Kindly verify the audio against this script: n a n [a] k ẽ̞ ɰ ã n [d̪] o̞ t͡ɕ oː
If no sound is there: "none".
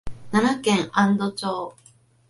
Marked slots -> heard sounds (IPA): a, d̪

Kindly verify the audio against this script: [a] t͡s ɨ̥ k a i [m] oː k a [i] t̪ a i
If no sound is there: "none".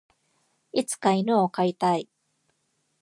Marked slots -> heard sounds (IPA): i, n, i

